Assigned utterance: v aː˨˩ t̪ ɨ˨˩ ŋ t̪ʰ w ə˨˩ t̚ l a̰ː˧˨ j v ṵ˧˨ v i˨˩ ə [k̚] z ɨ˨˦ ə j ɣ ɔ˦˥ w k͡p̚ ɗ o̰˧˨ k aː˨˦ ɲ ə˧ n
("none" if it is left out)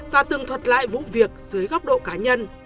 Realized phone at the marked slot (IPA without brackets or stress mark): k̚